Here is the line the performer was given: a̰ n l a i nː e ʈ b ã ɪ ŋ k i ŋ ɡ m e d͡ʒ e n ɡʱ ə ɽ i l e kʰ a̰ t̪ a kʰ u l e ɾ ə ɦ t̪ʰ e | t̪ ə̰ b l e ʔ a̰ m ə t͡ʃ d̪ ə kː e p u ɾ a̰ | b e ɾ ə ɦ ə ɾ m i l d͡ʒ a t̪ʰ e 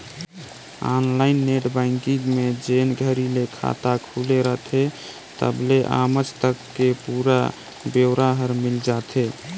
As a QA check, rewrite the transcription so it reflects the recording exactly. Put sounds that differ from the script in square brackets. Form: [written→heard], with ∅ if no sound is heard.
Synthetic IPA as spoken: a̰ n l a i nː e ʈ b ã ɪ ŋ k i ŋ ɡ m e d͡ʒ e n ɡʱ ə [ɽ→ɾ] i l e kʰ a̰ t̪ a kʰ u l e ɾ ə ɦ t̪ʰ e | t̪ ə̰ b l e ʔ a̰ m ə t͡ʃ [d̪→t̪] ə kː e p u ɾ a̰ | b e ɾ [ə→a] ɦ ə ɾ m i l d͡ʒ a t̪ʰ e